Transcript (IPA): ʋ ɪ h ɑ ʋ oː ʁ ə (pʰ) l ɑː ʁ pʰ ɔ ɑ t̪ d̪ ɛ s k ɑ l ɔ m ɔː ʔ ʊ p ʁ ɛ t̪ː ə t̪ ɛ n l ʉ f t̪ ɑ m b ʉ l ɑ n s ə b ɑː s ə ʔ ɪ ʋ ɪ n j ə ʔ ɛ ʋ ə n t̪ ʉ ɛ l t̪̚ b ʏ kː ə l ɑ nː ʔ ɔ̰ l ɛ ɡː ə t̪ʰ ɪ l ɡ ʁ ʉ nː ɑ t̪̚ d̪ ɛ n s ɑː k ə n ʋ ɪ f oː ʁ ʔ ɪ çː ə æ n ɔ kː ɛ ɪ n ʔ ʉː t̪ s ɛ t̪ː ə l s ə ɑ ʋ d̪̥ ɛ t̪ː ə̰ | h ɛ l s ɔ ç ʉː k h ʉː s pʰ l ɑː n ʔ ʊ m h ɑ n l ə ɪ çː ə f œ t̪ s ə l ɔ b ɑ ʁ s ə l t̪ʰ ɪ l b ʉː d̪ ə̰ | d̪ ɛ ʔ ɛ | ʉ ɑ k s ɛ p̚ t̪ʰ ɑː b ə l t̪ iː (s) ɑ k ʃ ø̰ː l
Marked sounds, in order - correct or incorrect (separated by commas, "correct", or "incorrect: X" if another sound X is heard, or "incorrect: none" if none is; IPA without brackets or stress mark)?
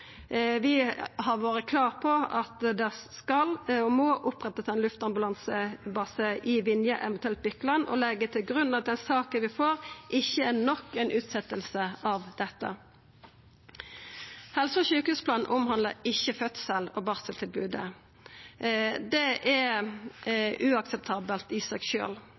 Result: incorrect: kʰ, correct